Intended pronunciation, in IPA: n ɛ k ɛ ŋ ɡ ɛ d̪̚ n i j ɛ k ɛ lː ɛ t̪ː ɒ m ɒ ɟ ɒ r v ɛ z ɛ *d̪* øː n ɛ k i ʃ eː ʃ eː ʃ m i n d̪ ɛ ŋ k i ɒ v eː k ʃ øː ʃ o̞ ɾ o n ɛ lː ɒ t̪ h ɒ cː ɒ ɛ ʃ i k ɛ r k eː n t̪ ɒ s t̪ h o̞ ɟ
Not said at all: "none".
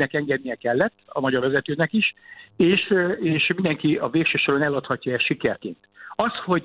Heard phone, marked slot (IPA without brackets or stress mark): t̪